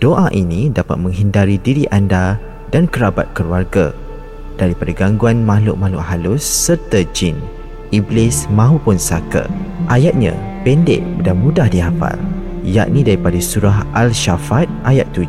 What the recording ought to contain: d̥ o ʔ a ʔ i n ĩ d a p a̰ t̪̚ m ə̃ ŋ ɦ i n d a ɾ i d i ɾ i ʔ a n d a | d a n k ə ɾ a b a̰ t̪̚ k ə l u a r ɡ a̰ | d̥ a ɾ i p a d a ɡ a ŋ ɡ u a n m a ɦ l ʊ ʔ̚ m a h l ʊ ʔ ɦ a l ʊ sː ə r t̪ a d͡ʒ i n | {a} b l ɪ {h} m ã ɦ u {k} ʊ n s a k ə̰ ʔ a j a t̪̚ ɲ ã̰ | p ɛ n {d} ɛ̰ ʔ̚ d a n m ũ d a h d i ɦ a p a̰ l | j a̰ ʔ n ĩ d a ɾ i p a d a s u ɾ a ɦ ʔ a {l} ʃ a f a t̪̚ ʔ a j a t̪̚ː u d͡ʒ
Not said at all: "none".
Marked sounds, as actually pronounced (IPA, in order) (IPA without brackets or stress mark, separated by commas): i, s, p, d, l